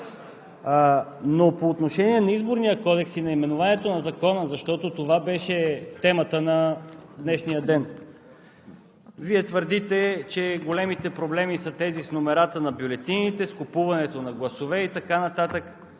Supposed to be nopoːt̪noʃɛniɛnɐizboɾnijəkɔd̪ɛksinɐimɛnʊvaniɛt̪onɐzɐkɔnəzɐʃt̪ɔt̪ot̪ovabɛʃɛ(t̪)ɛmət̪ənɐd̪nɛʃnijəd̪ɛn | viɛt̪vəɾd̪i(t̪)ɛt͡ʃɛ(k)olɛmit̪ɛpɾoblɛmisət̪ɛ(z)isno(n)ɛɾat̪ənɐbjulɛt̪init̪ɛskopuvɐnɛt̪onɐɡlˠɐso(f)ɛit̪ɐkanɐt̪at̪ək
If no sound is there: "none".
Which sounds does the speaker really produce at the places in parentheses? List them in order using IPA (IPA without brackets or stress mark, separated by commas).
t̪, t̪, ɡ, z, m, v